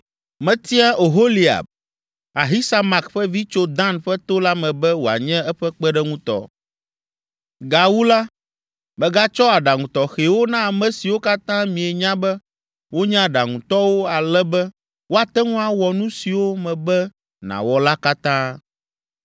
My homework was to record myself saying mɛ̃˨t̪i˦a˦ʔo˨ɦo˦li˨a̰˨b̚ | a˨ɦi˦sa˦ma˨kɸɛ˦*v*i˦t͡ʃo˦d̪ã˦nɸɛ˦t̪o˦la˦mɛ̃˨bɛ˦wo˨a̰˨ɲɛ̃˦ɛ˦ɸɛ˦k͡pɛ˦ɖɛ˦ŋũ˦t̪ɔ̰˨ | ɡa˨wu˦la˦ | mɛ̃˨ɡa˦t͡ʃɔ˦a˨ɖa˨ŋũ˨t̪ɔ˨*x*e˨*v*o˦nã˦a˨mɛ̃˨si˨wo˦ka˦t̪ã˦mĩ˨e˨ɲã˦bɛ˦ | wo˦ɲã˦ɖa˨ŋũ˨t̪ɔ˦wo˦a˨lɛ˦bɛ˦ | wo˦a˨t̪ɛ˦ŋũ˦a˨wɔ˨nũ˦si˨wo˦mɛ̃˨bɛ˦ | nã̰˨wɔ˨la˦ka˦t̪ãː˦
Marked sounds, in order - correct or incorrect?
correct, correct, incorrect: w

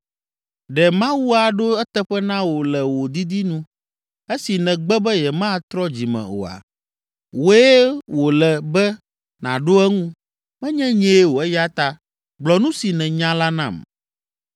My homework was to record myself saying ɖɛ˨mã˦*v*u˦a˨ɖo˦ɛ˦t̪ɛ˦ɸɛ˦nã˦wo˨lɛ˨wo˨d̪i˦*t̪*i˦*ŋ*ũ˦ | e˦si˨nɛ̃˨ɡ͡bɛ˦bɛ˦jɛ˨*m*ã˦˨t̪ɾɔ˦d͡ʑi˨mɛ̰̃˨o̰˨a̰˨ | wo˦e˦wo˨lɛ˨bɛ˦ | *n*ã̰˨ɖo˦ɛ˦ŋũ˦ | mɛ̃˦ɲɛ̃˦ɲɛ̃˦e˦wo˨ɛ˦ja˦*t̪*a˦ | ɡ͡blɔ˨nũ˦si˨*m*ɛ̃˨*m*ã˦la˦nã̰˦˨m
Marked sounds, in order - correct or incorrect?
incorrect: w, incorrect: d̪, incorrect: n, correct, correct, correct, incorrect: n, incorrect: ɲ

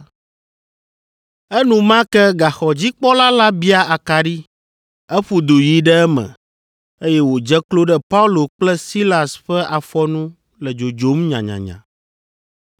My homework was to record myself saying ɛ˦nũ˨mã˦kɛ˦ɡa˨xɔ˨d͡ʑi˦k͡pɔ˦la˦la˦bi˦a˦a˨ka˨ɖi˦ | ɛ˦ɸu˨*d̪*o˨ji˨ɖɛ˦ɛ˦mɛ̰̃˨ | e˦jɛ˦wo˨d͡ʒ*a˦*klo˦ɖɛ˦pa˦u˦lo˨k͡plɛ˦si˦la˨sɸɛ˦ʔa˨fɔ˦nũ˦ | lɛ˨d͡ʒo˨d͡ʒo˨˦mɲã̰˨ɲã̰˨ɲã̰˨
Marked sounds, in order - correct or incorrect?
correct, incorrect: ɛ˦

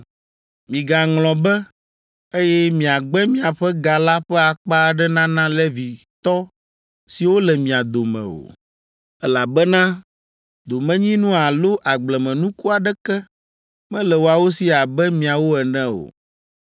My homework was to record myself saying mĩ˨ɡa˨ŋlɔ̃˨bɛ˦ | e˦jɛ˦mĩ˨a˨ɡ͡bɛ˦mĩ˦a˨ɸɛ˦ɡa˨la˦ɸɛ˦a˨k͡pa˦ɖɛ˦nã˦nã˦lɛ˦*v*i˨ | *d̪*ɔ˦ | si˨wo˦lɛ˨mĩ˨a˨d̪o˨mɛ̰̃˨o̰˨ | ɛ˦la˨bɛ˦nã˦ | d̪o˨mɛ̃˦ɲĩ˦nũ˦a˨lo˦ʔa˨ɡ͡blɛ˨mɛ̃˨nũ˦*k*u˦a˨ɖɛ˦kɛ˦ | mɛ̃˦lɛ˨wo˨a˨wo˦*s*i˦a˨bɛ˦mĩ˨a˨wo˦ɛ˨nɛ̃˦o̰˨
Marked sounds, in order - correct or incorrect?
correct, incorrect: t̪, correct, correct

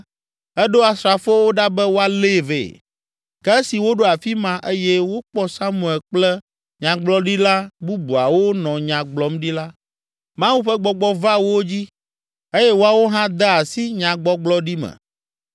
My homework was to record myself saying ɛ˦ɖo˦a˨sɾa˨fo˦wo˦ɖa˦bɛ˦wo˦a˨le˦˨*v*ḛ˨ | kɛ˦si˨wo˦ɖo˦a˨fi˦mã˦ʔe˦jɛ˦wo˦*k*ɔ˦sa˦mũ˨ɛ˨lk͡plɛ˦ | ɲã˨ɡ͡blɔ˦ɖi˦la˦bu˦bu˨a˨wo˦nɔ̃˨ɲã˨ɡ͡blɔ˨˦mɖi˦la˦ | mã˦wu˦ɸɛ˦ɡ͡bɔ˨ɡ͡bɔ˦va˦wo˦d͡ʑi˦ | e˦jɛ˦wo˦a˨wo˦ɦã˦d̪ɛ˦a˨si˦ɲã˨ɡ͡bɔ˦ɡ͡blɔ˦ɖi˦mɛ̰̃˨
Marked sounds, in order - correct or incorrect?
correct, incorrect: k͡p

